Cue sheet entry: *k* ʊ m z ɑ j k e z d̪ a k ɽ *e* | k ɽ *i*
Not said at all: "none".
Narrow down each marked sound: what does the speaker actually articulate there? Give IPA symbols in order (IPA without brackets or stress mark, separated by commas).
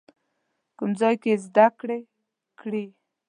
k, e, i